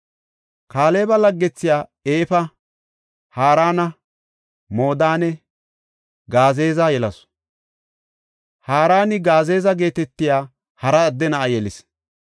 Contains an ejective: no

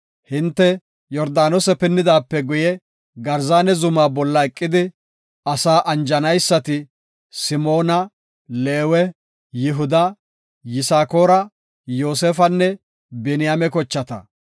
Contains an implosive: no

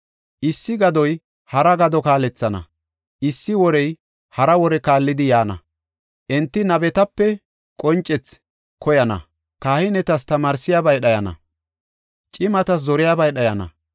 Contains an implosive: yes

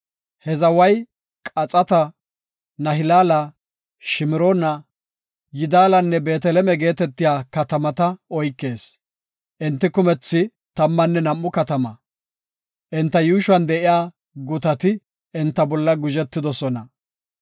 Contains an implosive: no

